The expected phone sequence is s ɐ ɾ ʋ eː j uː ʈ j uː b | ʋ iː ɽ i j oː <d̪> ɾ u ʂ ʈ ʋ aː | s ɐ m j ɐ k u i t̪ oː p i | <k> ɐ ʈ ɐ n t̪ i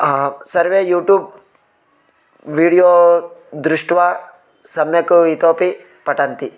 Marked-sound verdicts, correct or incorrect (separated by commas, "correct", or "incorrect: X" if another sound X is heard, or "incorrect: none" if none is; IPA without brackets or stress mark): correct, incorrect: p